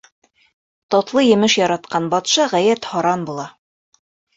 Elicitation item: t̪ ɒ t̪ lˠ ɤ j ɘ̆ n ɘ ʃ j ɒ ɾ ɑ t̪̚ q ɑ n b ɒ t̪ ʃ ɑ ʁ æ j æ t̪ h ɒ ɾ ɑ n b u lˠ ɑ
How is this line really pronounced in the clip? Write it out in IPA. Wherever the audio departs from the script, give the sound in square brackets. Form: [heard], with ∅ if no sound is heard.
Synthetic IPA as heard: t̪ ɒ t̪ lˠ ɤ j ɘ̆ [m] ɘ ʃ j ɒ ɾ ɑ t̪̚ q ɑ n b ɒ t̪ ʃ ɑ ʁ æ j æ t̪ h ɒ ɾ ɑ n b u lˠ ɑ